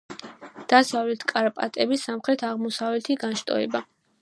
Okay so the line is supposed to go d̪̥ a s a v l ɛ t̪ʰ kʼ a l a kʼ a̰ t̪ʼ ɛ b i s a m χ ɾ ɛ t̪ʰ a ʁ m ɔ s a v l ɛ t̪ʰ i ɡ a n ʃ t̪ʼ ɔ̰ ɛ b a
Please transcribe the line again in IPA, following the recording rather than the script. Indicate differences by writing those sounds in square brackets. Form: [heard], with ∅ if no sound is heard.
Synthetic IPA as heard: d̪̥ a s a v l ɛ t̪ʰ kʼ a [ɾ] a [pʼ] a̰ t̪ʼ ɛ b i s a m χ ɾ ɛ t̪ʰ a ʁ m ɔ s a v l ɛ t̪ʰ i ɡ a n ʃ t̪ʼ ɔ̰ ɛ b a